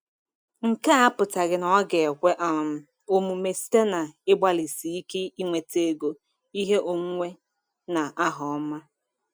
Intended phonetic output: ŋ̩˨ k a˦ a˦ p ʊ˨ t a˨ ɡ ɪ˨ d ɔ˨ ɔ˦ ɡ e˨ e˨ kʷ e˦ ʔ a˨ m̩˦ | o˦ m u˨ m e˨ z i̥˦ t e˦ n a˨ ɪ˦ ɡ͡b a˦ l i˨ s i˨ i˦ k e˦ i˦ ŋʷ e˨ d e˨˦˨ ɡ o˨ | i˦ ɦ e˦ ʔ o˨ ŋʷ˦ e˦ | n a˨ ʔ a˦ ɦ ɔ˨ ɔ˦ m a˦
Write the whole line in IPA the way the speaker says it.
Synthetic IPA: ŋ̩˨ k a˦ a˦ p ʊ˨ t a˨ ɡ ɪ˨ n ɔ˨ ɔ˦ ɡ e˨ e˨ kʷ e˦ ʔ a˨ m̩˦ | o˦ m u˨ m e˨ s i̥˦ t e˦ n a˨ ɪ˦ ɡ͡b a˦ l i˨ s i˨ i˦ k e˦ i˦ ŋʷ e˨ t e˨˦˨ ɡ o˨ | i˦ ɦ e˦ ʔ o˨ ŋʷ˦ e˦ | n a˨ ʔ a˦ ɦ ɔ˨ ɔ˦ m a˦

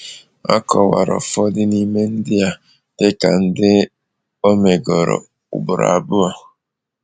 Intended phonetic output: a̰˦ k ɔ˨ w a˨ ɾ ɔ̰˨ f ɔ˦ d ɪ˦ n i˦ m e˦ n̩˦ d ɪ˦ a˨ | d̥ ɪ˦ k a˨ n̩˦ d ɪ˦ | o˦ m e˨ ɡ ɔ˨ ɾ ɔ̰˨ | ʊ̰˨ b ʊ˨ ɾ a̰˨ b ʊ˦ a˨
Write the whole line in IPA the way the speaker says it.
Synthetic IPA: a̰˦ k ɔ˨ w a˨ ɾ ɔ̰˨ f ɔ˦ d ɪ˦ n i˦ m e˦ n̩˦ d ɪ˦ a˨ | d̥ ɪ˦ k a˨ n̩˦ d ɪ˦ | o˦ m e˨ ɡ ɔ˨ ɾ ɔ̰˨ | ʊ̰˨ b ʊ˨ ɾ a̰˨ b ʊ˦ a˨

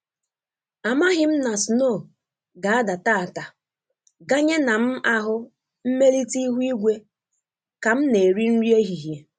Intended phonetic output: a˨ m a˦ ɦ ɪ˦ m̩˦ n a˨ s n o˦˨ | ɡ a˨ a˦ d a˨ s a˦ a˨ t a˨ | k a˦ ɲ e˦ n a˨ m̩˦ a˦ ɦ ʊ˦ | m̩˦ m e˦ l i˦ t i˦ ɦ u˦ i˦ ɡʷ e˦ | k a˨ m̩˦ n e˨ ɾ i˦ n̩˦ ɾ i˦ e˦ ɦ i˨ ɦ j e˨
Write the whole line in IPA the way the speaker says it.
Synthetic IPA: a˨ m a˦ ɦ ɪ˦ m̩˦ n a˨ s n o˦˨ | ɡ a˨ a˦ d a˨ t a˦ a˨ t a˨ | ɡ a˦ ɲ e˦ n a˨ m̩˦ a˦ ɦ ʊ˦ | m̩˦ m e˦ l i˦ t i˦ ɦ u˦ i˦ ɡʷ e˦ | k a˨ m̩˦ n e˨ ɾ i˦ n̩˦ ɾ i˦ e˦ ɦ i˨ ɦ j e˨

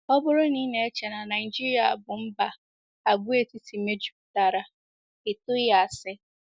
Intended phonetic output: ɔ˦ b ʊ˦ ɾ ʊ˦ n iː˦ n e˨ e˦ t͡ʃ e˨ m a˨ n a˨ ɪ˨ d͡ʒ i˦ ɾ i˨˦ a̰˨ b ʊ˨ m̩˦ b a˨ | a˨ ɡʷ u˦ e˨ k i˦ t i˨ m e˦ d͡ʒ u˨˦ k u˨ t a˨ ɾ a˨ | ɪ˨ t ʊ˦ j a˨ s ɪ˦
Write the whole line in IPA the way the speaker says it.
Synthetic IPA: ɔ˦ b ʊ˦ ɾ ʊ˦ n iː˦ n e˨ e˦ t͡ʃ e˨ n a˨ n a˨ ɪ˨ d͡ʒ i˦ ɾ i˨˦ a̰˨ b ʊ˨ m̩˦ b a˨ | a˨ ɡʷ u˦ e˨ t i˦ t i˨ m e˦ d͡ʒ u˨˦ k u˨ t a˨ ɾ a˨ | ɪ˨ t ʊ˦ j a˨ s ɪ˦

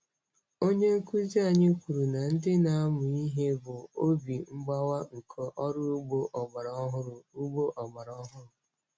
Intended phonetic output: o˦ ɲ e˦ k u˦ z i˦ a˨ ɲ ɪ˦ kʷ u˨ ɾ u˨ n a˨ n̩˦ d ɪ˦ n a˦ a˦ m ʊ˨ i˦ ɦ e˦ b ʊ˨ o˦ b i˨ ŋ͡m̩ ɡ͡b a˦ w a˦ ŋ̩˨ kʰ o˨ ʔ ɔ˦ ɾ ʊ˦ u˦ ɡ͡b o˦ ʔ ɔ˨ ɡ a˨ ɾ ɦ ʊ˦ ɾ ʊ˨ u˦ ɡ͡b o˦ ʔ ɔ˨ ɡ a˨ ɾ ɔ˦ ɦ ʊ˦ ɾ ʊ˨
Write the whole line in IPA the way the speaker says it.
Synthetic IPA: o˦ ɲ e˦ k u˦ z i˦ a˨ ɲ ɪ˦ kʷ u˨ ɾ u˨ n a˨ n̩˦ d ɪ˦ n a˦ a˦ m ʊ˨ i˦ ɦ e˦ b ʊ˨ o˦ b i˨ ŋ͡m̩ ɡ͡b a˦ w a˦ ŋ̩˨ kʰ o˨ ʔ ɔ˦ ɾ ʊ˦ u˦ ɡ͡b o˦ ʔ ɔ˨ ɡ͡b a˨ ɾ ɦ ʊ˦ ɾ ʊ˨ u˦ ɡ͡b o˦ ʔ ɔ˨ ɡ͡b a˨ ɾ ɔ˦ ɦ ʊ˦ ɾ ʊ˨

